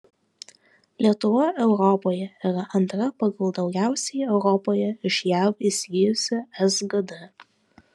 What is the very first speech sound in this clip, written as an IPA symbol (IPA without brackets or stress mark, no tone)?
lʲ